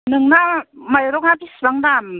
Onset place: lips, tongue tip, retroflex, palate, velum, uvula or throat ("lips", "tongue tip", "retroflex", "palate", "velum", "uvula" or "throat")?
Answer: tongue tip